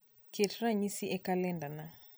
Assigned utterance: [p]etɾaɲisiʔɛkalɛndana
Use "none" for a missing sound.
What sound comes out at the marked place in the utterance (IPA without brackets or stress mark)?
k